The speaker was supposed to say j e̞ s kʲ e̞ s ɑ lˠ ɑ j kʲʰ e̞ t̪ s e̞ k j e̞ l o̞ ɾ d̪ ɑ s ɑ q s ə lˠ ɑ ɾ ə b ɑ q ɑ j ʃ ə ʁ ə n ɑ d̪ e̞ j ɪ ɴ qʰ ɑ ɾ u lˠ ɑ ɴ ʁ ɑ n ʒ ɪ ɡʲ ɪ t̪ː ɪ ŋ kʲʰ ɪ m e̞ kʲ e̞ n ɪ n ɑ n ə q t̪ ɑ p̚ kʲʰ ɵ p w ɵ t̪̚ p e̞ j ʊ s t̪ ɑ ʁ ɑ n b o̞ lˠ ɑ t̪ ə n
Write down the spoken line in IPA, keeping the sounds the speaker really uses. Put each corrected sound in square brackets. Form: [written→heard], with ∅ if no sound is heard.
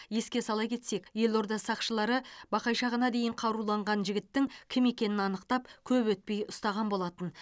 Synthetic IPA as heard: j e̞ s kʲ e̞ s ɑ lˠ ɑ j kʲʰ e̞ t̪ s e̞ k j e̞ l o̞ ɾ d̪ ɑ s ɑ q [s→ʃ] ə lˠ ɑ ɾ ə b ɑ q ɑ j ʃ [ə→ɑ] ʁ ə n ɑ d̪ e̞ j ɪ ɴ qʰ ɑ ɾ u lˠ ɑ ɴ ʁ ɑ n ʒ ɪ ɡʲ ɪ t̪ː ɪ ŋ kʲʰ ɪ m e̞ kʲ e̞ n ɪ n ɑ n ə q t̪ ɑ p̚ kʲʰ ɵ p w ɵ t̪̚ p e̞ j ʊ s t̪ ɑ ʁ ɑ n b o̞ lˠ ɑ t̪ ə n